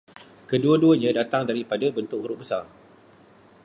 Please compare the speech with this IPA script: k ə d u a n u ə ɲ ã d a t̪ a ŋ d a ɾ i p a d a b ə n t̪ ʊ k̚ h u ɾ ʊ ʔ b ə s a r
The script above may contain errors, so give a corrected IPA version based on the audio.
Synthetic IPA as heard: k ə d u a d u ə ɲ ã d a t̪ a ŋ d a ɾ i p a d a b ə n t̪ ʊ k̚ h u ɾ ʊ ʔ b ə s a r